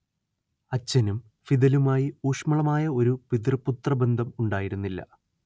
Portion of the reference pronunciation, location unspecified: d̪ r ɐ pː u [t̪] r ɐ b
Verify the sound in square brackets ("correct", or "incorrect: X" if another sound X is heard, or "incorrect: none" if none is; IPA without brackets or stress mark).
correct